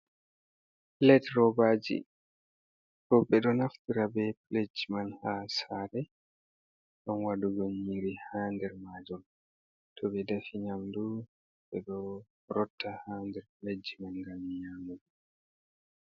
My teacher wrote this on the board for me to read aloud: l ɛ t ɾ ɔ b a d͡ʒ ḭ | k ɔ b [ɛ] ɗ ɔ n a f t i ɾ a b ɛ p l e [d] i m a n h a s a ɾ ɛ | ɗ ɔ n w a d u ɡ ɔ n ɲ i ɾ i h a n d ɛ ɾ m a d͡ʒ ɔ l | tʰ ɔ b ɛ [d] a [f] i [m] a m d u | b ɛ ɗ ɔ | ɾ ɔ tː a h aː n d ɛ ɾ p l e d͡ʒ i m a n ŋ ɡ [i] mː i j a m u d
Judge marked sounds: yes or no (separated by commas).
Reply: yes, no, yes, yes, no, no